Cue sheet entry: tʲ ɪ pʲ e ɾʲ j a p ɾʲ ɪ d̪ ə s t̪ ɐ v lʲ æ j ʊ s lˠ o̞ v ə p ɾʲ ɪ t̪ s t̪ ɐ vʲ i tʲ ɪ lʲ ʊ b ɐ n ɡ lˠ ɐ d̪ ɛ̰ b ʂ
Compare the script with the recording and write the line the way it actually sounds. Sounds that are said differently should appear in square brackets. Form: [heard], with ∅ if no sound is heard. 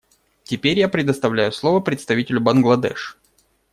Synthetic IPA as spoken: tʲ ɪ pʲ e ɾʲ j a p ɾʲ ɪ d̪ ə s t̪ ɐ v lʲ æ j ʊ s lˠ o̞ v ə p ɾʲ ɪ t̪ s t̪ ɐ vʲ i tʲ ɪ lʲ ʊ b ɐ n ɡ lˠ ɐ d̪ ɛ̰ [∅] ʂ